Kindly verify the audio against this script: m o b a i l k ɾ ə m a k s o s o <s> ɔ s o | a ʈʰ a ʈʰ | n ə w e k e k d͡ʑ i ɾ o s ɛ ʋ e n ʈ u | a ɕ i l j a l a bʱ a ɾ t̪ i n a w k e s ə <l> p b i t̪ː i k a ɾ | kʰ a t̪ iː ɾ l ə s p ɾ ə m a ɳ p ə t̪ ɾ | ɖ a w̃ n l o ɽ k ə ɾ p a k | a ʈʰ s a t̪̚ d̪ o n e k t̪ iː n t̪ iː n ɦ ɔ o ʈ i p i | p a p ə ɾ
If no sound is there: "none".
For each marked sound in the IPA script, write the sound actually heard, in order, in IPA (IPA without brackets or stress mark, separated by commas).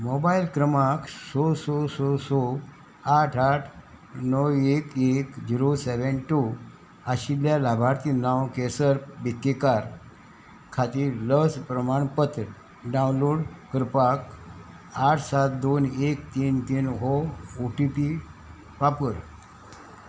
s, ɾ